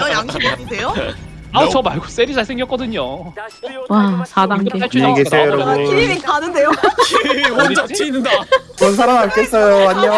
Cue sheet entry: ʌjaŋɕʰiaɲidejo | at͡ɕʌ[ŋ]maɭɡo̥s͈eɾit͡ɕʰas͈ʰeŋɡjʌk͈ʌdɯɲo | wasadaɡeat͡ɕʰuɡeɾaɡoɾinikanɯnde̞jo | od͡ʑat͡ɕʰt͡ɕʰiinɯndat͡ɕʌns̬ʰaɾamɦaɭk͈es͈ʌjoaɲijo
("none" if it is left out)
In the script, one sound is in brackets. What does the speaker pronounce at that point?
none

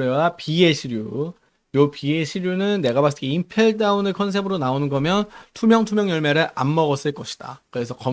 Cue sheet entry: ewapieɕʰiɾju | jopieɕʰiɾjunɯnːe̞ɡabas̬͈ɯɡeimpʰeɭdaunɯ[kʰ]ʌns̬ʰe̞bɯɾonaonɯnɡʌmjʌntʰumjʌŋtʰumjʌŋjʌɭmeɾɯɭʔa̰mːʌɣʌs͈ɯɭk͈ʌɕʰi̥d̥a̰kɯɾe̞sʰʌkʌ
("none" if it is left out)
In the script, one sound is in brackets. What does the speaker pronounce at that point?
kʰ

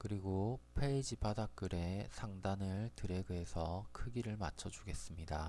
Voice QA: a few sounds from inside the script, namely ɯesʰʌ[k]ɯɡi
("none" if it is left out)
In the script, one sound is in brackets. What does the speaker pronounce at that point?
kʰ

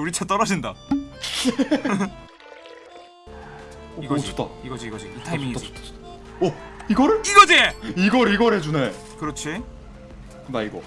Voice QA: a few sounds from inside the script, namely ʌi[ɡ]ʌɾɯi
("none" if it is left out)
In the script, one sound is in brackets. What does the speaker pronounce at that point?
ɡ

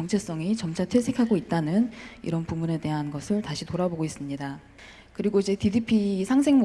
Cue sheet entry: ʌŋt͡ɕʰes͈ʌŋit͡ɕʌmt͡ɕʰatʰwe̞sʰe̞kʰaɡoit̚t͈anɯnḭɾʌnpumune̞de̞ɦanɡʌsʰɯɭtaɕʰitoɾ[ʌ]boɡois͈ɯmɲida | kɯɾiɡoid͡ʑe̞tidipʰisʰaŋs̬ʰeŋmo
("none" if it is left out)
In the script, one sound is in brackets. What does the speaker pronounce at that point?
a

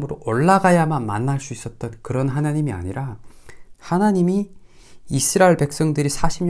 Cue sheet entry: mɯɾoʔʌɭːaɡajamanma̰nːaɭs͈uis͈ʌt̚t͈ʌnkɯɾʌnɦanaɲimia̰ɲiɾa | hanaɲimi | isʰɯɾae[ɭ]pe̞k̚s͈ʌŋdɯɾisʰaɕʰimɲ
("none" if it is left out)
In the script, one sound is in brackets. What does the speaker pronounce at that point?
ɭ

